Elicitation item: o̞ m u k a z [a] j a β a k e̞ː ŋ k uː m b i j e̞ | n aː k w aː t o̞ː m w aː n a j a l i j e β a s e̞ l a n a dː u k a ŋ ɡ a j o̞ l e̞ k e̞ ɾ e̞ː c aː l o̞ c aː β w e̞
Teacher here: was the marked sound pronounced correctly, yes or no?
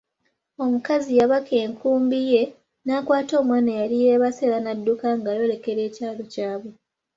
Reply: no